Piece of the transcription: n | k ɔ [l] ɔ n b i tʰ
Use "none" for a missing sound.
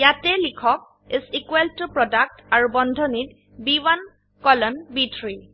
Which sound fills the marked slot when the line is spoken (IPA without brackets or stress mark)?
l